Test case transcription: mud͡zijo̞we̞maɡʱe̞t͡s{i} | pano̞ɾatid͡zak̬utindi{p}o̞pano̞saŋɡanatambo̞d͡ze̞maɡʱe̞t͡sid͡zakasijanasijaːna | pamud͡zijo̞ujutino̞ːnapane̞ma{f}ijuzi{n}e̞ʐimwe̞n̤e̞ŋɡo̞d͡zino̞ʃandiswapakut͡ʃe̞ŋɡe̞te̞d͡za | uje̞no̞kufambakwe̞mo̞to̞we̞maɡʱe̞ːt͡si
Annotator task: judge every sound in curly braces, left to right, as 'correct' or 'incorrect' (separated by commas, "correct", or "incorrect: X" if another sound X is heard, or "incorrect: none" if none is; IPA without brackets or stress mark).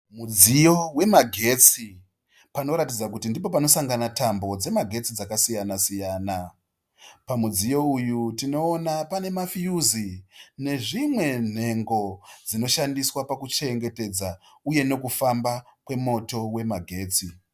correct, correct, correct, correct